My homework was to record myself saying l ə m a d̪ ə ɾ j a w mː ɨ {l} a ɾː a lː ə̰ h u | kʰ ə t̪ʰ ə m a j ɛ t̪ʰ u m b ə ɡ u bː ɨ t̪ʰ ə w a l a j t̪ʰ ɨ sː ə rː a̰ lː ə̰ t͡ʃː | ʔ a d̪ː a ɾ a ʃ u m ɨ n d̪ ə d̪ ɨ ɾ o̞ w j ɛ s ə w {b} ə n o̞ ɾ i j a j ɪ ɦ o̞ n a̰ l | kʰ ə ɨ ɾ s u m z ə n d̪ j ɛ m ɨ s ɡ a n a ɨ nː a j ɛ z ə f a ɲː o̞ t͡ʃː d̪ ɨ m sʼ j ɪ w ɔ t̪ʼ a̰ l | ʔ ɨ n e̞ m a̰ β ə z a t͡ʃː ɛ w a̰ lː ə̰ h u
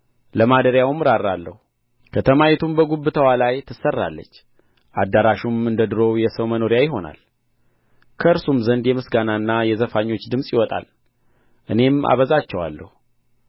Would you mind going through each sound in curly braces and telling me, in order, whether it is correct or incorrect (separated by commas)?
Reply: incorrect, incorrect